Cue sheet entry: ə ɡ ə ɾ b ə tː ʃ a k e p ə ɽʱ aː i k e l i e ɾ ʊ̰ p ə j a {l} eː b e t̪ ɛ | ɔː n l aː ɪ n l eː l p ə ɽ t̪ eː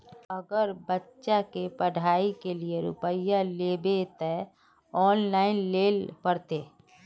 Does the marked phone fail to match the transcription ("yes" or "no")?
no